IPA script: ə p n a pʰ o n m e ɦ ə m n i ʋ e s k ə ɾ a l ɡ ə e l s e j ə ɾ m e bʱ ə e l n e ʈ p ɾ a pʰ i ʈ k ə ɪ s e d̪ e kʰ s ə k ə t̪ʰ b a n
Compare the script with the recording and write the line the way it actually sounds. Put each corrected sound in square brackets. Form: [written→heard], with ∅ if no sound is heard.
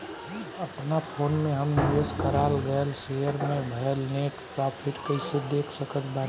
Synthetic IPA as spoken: ə p n a pʰ o n m e ɦ ə m n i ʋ e s k ə ɾ a l ɡ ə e l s e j ə ɾ m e bʱ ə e l n e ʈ p ɾ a pʰ i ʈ k ə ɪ s e d̪ e kʰ s ə k ə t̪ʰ b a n